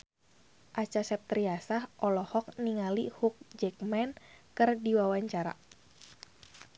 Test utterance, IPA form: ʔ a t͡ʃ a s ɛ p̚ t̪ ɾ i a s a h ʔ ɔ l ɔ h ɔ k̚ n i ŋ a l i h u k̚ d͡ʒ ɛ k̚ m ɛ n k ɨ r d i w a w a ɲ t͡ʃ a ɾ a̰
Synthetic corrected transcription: ʔ a t͡ʃ a s ɛ p̚ t̪ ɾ i a s a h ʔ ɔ l ɔ h ɔ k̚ n i ŋ a l i h u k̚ d͡ʒ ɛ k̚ m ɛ n k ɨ r d i w a w a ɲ t͡ʃ a ɾ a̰